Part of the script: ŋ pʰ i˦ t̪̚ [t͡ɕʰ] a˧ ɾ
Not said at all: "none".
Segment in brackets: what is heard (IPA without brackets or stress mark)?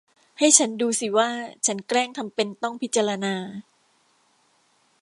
t͡ɕ